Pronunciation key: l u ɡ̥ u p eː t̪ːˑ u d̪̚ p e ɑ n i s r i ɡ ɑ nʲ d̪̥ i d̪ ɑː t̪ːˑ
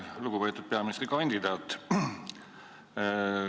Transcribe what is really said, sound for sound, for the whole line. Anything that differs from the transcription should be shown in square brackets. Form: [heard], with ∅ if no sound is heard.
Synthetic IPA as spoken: l u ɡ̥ u p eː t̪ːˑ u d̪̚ p e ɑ [m] i s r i [k] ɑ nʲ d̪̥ i d̪ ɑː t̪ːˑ